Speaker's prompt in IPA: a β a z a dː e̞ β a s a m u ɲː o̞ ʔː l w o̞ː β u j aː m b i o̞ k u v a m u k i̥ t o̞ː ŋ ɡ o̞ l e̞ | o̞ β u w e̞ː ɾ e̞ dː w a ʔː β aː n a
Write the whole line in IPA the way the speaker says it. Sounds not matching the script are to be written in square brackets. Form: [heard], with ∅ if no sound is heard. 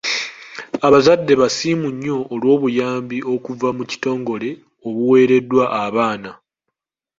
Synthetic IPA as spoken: a β a z a dː e̞ β a s [i] m u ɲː o̞ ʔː l w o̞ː β u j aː m b i o̞ k u v a m u [c] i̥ t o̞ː ŋ ɡ o̞ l e̞ | o̞ β u w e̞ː ɾ e̞ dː w a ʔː β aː n a